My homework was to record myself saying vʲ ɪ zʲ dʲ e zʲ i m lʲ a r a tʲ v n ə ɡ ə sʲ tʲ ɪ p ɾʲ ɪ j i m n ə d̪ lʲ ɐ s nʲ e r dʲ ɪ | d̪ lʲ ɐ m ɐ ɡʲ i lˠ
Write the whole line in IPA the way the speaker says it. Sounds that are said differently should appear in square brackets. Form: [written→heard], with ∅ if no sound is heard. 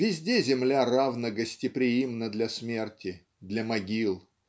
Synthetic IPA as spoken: vʲ ɪ zʲ dʲ e zʲ [i→ɪ] m lʲ a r a [tʲ→∅] v n ə ɡ ə sʲ tʲ ɪ p ɾʲ ɪ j i m n ə d̪ lʲ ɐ s [nʲ→mʲ] e r [dʲ→tʲ] ɪ | d̪ lʲ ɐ m ɐ ɡʲ i lˠ